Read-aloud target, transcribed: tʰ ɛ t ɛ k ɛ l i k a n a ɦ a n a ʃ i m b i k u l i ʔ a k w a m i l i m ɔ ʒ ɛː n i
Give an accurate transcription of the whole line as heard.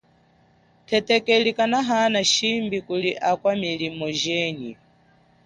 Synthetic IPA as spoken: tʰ ɛ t ɛ k ɛ l i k a n a ɦ a n a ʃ i m b i k u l i ʔ a k w a m i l i m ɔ ʒ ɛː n i